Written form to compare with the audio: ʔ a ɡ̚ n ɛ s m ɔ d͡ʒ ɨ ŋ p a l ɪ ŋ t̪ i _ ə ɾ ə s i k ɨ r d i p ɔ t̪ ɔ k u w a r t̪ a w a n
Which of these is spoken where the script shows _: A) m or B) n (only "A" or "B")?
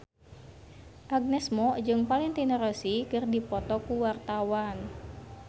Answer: B